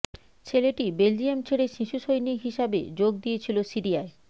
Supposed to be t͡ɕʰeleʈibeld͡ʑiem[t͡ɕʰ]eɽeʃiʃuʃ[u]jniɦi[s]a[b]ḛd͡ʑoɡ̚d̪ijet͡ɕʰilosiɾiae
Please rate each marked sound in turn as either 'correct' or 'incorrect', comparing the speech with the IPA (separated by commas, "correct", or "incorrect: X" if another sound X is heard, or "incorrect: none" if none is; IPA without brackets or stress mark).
correct, incorrect: o, incorrect: ʃ, correct